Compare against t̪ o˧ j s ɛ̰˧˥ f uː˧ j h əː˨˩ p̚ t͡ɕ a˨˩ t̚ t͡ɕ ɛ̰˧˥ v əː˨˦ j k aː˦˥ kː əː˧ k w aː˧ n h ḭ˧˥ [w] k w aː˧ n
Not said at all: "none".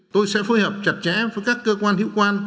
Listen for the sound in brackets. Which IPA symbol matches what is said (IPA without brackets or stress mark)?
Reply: w